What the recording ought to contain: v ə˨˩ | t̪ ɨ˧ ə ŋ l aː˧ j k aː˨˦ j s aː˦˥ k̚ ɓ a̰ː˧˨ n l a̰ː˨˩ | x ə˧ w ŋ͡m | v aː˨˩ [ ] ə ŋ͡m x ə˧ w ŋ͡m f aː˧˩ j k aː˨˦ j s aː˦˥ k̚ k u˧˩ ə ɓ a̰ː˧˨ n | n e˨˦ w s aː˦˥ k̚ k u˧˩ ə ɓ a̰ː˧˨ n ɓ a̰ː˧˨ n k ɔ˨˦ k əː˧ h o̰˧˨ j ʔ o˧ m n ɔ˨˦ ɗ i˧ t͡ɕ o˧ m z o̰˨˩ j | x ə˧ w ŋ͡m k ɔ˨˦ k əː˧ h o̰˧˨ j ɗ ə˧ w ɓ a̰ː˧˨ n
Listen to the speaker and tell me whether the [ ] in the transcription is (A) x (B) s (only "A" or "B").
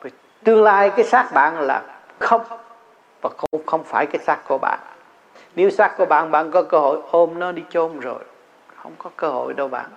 A